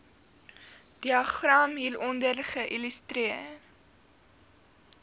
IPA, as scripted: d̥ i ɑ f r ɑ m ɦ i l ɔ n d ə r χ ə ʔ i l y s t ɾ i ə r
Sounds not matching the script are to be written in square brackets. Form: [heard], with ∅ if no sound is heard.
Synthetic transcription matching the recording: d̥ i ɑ [χ] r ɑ m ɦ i l ɔ n d ə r χ ə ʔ i l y s t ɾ i ə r